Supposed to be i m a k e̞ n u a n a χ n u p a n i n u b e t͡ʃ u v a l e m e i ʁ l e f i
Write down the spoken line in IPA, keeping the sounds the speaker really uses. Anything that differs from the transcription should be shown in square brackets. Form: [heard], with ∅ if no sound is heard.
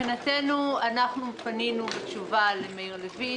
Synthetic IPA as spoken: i [n] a [t] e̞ n u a n a χ n u p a n i n u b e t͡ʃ u v a l e m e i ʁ l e [v] i